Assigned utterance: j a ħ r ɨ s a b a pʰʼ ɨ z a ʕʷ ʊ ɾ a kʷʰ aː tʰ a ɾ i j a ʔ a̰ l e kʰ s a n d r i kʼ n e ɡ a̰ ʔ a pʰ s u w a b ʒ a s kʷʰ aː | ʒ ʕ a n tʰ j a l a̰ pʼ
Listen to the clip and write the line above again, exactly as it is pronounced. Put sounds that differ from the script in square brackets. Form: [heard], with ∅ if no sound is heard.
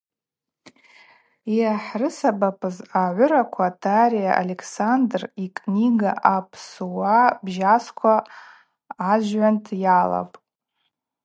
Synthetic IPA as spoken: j a ħ r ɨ s a b a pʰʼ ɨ z a ʕʷ ʊ ɾ a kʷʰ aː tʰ a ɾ i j a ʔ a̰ l e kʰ s a n d r i kʼ n [i] ɡ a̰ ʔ a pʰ s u w a b ʒ a s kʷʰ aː | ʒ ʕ a n tʰ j a l a̰ pʼ